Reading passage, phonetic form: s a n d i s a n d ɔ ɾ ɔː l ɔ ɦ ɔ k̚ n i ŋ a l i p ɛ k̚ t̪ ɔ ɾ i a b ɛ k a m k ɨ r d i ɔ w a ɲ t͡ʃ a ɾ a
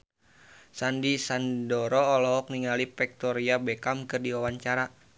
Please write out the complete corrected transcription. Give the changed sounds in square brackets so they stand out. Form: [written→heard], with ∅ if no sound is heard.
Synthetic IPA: s a n d i s a n d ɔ ɾ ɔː l ɔ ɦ ɔ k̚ n i ŋ a l i p ɛ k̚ t̪ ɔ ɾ i a b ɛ k a m k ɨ r d i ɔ w a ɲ t͡ʃ a ɾ a